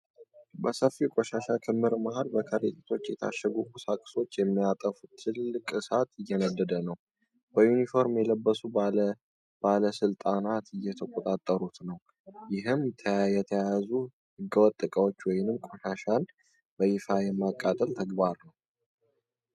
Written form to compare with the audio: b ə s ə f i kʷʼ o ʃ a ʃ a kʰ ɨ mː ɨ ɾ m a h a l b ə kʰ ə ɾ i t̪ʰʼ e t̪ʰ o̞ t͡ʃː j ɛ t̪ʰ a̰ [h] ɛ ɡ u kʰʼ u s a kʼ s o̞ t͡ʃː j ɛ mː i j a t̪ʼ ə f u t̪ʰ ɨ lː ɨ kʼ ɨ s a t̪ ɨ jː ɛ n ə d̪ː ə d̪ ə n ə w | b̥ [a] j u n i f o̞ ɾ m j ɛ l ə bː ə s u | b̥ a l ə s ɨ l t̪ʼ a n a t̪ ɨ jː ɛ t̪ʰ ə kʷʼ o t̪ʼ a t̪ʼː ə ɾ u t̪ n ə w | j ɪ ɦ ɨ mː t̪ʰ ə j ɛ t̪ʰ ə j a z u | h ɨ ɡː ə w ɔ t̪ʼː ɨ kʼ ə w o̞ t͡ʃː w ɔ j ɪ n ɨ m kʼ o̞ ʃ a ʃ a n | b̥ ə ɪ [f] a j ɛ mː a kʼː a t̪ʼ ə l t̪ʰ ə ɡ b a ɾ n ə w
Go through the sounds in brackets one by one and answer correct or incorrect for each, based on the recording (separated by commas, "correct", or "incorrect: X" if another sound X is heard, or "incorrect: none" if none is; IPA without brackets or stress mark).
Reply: incorrect: ʃ, incorrect: ə, correct